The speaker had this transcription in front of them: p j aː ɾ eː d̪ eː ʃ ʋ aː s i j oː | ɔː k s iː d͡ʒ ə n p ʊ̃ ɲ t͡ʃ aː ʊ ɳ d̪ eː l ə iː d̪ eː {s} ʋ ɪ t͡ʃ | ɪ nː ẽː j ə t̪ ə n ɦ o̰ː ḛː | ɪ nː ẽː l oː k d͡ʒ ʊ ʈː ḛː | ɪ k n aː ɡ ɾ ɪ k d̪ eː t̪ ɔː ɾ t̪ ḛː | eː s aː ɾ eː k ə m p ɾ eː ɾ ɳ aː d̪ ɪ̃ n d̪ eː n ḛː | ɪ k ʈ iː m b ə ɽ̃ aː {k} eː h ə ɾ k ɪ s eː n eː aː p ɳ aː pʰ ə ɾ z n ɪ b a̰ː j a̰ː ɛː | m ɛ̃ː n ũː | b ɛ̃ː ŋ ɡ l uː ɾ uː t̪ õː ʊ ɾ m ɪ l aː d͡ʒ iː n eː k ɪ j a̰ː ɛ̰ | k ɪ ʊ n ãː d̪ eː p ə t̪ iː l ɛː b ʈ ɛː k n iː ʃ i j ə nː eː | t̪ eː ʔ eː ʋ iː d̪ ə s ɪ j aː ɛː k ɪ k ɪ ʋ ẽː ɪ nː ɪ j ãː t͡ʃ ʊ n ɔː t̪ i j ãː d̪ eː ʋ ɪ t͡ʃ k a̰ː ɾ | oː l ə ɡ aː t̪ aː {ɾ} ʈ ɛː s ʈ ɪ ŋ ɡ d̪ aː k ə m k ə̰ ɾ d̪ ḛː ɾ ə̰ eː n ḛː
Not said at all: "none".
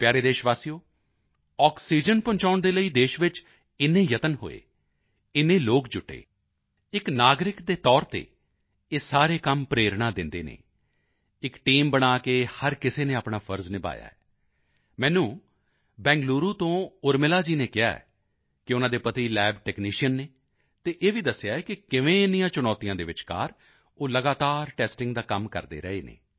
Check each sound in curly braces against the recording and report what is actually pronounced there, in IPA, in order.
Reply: ʃ, k, ɾ

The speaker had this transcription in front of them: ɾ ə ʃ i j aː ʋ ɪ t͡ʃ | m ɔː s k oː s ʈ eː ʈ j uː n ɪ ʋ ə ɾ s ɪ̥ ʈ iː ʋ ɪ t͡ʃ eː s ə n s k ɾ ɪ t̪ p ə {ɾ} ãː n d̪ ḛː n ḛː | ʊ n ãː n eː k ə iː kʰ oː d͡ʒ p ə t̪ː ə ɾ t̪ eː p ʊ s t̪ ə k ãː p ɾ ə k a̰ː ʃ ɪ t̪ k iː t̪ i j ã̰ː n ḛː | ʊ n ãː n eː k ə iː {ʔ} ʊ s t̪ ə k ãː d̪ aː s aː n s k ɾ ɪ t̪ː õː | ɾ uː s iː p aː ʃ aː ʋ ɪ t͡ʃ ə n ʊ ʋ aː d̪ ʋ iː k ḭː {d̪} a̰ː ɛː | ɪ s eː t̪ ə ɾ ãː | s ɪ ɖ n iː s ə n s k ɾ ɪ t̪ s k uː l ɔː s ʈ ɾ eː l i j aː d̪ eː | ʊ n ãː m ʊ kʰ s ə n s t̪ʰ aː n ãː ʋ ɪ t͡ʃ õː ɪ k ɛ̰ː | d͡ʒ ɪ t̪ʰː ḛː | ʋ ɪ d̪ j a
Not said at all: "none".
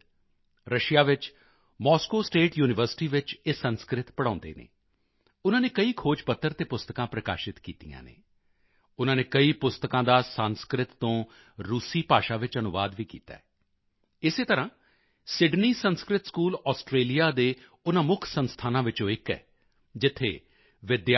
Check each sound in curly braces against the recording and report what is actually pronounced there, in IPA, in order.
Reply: ɽ, p, t̪

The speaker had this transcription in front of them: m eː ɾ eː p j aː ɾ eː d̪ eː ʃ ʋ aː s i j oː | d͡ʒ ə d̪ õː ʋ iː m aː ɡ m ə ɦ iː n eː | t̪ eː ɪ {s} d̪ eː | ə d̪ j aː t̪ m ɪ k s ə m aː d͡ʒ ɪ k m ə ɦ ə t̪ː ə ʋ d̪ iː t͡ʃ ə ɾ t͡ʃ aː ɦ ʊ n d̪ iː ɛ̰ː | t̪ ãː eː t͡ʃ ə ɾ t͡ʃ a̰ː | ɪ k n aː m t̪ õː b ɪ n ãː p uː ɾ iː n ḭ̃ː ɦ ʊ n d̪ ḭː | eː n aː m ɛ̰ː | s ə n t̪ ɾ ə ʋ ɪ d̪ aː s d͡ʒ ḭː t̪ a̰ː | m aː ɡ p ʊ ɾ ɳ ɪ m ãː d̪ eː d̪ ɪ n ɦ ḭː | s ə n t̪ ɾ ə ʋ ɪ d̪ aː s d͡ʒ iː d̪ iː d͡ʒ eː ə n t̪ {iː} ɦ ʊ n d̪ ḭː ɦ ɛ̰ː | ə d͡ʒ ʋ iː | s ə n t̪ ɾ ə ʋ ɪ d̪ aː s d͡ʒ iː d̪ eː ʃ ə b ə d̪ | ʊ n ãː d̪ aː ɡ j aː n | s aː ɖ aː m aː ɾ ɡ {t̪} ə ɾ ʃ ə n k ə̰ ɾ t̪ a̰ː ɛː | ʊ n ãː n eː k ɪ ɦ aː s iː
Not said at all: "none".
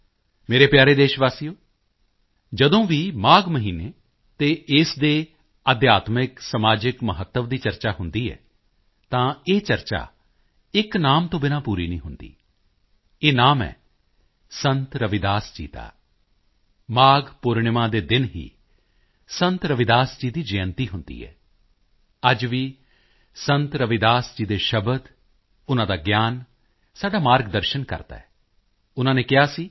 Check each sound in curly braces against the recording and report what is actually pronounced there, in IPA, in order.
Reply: s, iː, d̪

